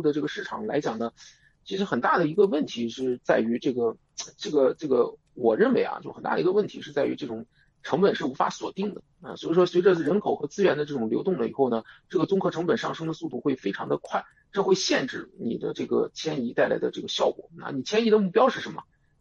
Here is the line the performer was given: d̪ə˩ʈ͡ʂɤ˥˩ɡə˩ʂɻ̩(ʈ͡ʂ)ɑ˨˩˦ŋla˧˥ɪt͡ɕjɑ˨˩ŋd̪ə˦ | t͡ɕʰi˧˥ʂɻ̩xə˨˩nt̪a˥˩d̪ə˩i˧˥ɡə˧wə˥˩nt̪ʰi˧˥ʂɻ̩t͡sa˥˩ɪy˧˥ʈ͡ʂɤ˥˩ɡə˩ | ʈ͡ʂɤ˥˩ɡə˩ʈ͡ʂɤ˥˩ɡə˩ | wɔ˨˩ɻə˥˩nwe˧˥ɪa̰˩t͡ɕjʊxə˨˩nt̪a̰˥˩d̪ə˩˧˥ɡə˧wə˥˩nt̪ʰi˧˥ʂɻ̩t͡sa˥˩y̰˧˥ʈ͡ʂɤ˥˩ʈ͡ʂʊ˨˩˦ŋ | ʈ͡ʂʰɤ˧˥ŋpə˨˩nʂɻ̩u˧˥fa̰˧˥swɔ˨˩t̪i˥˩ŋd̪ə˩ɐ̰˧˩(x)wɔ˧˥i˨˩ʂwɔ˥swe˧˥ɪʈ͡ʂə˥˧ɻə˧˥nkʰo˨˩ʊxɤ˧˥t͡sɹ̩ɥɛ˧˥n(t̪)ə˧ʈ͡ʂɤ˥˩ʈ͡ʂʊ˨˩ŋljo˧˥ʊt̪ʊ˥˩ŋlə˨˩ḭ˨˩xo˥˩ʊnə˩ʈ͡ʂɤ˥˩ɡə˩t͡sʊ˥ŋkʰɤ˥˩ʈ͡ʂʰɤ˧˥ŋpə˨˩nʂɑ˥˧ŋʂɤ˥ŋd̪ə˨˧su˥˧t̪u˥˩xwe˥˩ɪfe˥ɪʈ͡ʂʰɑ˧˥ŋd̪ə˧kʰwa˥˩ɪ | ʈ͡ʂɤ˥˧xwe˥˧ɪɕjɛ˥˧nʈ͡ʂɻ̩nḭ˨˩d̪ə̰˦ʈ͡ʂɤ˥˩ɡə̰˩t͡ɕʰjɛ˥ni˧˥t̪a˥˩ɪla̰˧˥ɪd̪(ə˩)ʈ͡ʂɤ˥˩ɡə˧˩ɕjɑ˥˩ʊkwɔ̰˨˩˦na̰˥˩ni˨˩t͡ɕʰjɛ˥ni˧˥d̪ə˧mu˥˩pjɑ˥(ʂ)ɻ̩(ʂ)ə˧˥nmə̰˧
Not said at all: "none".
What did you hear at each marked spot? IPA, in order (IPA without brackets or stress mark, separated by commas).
ʈ͡ʂʰ, s, d̪, ə˧, ʂ, ʂ